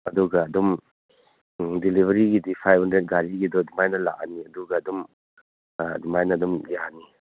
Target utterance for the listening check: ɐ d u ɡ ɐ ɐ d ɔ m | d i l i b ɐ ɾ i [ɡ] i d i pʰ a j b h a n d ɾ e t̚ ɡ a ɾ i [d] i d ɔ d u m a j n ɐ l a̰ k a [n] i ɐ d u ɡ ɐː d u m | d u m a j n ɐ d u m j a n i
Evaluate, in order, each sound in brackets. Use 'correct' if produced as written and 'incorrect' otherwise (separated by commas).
correct, incorrect, correct